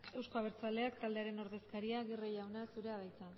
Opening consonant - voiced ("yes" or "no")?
yes